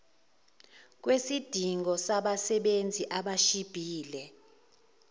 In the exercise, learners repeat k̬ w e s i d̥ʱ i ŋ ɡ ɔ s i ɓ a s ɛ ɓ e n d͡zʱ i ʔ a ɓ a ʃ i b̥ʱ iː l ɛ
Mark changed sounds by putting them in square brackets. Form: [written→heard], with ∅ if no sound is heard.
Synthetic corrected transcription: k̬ w e s i d̥ʱ i ŋ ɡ ɔ s [i→a] ɓ a s ɛ ɓ e n d͡zʱ i ʔ a ɓ a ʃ i b̥ʱ iː l ɛ